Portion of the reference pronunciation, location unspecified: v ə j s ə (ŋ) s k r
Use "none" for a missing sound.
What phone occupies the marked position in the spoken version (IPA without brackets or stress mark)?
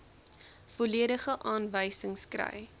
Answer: ŋ